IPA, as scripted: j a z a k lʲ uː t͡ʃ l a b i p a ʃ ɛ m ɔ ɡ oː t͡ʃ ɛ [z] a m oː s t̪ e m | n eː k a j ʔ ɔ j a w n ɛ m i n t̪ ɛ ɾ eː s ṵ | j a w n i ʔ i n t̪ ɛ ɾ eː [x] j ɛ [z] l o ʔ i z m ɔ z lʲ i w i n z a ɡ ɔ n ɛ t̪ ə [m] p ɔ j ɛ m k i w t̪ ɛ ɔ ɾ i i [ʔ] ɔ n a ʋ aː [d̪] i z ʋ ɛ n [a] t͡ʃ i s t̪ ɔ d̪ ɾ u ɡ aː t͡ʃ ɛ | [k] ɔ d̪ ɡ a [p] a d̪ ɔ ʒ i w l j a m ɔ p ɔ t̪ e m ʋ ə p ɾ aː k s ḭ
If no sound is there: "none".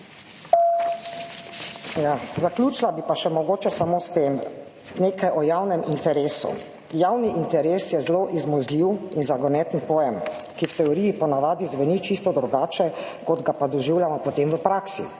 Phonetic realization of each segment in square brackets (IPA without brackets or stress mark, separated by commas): s, s, z, n, p, d̪, i, k, p